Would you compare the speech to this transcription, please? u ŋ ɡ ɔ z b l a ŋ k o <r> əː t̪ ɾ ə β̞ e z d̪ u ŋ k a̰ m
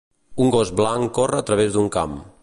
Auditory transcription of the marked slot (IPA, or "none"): r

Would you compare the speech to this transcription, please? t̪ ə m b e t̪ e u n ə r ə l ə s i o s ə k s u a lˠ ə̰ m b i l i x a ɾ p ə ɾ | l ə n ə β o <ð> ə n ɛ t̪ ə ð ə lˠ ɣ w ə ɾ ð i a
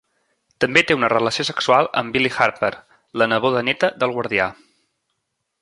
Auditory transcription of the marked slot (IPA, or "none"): ð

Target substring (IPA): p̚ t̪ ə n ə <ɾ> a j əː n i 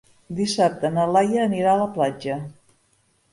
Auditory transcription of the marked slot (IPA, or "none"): l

